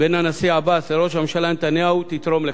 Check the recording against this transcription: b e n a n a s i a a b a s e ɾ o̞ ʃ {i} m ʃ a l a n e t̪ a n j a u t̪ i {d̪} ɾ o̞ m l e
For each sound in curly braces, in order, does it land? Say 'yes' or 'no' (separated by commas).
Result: no, no